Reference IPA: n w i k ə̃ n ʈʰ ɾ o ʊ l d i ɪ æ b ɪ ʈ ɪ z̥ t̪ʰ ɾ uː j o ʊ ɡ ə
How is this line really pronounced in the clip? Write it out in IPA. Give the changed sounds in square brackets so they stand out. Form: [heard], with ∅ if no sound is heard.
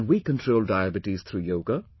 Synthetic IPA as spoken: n w i k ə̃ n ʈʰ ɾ o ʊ l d [a] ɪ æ b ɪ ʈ [i] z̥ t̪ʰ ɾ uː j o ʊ ɡ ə